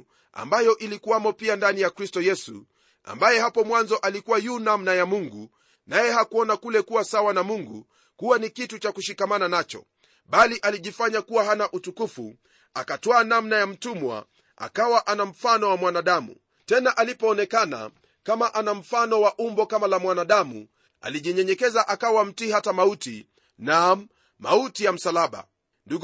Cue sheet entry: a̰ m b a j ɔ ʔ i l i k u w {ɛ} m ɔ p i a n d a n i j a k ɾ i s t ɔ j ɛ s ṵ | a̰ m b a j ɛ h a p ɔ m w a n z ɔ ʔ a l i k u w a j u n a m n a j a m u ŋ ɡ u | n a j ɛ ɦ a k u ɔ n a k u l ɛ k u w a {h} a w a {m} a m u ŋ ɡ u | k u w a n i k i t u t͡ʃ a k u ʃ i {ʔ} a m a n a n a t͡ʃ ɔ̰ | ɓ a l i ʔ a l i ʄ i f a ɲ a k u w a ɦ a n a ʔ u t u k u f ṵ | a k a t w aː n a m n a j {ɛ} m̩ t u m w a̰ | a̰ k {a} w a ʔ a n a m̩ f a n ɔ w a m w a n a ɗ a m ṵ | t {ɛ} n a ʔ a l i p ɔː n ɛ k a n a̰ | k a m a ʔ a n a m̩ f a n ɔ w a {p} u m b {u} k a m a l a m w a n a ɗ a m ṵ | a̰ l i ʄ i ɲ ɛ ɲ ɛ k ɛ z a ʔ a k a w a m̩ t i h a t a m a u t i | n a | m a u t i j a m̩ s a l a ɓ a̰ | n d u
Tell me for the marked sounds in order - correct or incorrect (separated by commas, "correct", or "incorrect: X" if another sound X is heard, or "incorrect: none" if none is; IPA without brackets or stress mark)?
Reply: incorrect: a, incorrect: s, incorrect: n, incorrect: k, incorrect: a, correct, correct, incorrect: ʔ, incorrect: ɔ